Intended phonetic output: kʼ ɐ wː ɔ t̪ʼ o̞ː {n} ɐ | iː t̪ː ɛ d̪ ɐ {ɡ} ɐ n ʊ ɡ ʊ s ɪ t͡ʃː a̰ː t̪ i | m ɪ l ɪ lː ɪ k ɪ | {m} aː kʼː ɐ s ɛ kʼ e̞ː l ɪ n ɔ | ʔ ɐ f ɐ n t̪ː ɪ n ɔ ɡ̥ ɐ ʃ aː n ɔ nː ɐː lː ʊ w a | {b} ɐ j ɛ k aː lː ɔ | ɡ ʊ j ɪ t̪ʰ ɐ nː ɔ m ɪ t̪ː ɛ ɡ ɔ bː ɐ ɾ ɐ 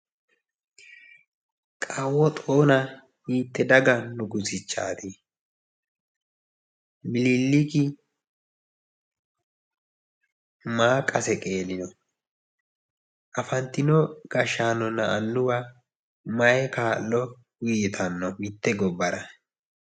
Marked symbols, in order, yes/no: yes, yes, yes, no

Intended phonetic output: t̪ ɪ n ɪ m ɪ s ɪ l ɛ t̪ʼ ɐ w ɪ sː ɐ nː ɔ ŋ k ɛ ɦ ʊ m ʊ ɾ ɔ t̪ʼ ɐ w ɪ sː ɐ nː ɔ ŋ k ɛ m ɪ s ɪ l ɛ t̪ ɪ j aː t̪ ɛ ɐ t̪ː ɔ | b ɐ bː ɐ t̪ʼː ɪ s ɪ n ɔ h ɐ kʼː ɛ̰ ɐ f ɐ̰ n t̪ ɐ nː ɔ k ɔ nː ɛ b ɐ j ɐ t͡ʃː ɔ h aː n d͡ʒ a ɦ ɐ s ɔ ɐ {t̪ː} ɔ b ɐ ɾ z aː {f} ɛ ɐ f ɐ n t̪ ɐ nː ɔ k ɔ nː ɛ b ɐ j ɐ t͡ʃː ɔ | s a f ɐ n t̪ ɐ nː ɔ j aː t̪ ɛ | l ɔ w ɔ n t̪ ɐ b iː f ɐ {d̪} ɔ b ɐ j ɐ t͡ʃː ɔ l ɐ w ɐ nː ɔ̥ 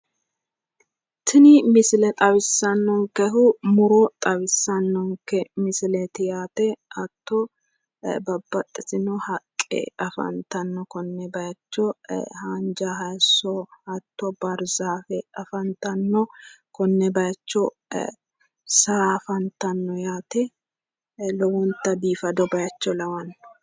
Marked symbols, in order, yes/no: yes, yes, yes

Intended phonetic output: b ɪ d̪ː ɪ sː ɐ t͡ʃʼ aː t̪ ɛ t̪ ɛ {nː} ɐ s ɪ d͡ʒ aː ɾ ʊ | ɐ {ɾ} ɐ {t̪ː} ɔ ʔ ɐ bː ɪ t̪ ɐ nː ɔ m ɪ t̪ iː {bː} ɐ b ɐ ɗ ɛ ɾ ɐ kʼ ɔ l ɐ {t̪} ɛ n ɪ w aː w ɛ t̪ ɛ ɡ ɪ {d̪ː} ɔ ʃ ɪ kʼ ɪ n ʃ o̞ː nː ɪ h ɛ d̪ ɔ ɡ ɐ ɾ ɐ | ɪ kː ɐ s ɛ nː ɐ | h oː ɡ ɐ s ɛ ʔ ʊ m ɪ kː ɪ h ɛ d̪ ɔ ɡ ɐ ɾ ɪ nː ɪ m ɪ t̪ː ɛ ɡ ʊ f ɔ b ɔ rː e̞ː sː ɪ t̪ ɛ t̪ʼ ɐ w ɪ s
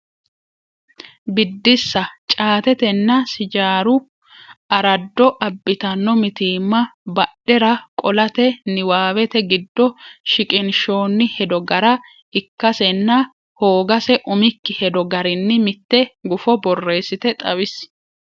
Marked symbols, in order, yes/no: yes, yes, no, no, yes, yes

